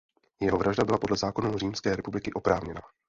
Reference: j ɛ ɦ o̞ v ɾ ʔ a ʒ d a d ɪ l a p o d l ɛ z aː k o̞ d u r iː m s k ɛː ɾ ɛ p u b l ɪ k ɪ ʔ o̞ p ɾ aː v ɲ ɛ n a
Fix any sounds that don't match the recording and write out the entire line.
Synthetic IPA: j ɛ ɦ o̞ v ɾ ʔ a ʒ d a b ɪ l a p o d l ɛ z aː k o̞ n u r iː m s k ɛː ɾ ɛ p u b l ɪ k ɪ ʔ o̞ p ɾ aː v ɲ ɛ n a